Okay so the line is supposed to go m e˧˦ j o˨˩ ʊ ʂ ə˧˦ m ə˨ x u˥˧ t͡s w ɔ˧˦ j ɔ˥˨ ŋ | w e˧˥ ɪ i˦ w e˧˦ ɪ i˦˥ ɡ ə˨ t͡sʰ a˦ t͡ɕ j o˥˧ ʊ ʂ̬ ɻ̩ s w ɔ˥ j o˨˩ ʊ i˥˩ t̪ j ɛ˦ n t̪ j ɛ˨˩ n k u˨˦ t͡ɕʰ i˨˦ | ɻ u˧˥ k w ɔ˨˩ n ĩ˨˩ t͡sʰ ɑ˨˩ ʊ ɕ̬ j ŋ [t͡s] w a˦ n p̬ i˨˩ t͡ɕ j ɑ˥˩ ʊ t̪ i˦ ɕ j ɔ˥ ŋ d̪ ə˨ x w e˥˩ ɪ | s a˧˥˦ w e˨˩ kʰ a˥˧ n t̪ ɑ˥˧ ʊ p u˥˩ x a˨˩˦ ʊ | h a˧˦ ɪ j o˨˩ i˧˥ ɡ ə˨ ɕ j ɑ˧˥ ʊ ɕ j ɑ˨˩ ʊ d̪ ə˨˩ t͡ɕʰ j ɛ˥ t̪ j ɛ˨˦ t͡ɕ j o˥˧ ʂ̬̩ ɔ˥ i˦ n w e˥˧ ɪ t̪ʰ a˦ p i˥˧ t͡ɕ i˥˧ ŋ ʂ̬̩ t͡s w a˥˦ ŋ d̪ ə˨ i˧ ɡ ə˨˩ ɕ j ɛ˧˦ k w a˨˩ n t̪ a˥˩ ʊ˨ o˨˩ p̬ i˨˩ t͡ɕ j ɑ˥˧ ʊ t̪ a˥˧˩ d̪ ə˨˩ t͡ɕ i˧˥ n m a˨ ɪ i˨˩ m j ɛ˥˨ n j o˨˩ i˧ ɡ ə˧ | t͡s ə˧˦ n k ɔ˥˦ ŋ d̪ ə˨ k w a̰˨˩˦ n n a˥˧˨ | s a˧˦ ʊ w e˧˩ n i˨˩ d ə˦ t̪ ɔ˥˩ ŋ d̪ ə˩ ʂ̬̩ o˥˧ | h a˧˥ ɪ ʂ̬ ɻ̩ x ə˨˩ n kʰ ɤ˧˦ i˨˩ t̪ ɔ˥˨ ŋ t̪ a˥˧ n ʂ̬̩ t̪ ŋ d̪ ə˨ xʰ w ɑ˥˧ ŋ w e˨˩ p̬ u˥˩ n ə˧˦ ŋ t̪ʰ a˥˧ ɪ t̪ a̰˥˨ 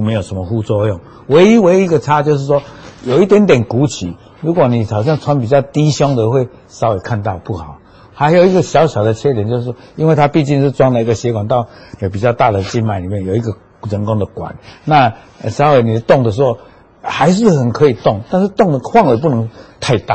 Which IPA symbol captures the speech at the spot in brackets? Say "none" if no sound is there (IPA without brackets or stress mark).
t͡sʰ